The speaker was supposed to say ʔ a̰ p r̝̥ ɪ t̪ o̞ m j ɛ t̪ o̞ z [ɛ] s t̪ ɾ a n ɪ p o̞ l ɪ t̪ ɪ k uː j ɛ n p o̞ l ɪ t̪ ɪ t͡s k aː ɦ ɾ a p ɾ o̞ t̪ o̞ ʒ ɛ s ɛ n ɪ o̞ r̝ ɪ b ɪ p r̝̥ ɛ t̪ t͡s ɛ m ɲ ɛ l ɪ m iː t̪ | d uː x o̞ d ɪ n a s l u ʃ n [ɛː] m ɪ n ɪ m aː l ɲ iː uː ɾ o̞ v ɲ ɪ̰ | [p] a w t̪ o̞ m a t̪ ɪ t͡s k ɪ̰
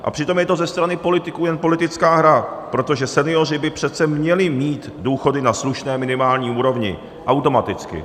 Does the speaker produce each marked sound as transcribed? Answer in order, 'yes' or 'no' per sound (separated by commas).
yes, yes, no